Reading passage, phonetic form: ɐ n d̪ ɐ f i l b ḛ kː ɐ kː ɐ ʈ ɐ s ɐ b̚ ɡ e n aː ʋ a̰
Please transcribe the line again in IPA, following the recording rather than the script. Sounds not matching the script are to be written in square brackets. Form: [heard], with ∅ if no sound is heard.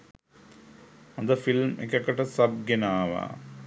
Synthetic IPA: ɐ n d̪ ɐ f i l [m] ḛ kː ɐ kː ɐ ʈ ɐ s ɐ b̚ ɡ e n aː ʋ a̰

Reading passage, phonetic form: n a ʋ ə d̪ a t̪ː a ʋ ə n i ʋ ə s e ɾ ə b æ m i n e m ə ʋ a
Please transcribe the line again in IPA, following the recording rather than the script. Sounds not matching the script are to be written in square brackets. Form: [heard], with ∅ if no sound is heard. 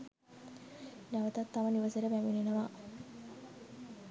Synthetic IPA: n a ʋ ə [t̪] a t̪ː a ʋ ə n i ʋ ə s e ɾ ə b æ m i n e [n] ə ʋ a

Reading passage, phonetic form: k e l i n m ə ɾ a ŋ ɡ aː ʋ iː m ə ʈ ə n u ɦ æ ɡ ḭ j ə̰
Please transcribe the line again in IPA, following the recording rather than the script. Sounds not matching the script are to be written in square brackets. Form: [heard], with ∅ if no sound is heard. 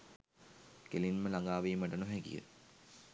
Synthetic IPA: k e l i n m ə [l] a ŋ ɡ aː ʋ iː m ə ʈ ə n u ɦ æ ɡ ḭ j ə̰

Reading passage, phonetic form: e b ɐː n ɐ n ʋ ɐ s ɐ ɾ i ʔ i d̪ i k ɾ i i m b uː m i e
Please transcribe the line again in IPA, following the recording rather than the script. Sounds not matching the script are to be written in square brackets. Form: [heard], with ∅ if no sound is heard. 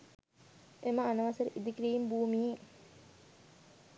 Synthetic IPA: e [m] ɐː n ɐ [∅] ʋ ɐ s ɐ ɾ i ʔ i d̪ i k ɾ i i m b uː m i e

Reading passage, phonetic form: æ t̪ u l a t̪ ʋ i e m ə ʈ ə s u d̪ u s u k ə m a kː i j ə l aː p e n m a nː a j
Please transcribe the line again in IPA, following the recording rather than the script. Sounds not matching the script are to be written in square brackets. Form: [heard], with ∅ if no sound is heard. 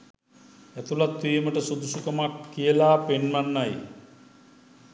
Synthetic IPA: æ t̪ u l a t̪ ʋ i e m ə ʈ ə s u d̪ u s u k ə m a kː i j ə l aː p e n m a nː a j

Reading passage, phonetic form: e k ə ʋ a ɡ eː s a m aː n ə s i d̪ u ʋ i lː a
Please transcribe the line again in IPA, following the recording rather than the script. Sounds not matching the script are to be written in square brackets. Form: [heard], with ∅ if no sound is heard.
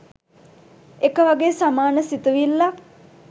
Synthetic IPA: e k ə ʋ a ɡ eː s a m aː n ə s i [t̪] u ʋ i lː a

